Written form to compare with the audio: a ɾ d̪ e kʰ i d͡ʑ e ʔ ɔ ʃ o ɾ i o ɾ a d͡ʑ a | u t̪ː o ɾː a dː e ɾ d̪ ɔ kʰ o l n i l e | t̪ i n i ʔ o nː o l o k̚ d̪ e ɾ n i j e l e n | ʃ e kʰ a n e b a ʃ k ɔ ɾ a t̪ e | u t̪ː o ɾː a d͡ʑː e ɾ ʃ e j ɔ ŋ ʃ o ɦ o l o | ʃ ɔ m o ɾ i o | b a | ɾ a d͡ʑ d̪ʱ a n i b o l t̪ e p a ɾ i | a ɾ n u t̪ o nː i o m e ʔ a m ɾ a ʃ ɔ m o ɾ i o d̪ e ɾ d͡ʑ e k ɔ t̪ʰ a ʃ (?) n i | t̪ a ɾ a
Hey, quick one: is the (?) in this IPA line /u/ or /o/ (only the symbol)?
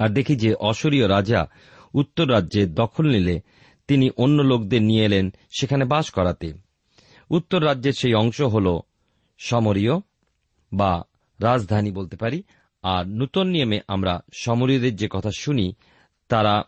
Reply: u